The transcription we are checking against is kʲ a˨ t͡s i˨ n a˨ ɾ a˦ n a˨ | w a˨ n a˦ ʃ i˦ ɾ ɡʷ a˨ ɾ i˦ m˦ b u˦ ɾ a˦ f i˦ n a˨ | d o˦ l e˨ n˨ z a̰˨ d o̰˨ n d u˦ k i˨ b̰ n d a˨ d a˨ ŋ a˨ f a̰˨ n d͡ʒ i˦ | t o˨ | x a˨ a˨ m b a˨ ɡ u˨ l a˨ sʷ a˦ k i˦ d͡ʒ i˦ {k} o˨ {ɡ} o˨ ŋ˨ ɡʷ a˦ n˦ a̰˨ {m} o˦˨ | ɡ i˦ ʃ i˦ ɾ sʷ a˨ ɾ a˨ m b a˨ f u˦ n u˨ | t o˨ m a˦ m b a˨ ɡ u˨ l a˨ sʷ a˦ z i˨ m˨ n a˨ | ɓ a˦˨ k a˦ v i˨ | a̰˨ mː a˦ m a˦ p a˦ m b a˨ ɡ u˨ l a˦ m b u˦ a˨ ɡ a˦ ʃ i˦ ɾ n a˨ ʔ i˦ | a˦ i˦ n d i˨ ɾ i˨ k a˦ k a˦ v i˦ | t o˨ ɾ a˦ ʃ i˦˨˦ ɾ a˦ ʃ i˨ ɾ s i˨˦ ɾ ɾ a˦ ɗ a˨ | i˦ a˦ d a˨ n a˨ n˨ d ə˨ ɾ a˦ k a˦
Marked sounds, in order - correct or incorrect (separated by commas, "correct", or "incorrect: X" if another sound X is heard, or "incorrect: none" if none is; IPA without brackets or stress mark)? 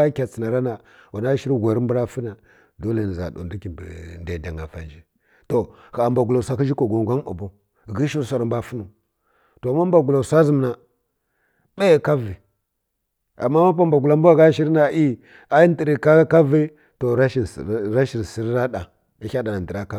correct, correct, incorrect: b